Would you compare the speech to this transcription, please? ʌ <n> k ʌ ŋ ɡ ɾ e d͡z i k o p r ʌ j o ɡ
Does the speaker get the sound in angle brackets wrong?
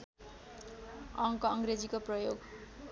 yes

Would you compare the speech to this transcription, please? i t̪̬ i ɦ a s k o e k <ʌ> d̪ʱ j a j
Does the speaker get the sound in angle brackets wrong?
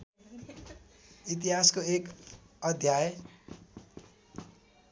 no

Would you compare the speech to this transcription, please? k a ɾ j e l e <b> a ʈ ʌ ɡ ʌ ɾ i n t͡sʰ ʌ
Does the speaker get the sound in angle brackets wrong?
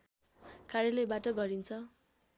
no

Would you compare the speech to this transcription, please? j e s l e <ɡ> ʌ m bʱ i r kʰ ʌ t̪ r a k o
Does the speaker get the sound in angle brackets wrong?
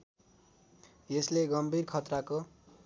no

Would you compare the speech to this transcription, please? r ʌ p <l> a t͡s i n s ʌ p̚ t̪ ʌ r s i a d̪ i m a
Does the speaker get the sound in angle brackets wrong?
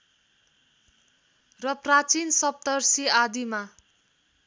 yes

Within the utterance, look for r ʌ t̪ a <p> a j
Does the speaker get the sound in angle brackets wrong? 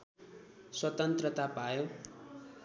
no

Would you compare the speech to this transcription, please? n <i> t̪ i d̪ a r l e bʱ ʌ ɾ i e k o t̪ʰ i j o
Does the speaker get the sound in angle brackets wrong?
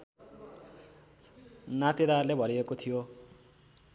yes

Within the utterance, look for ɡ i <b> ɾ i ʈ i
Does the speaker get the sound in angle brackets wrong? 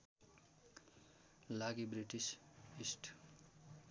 no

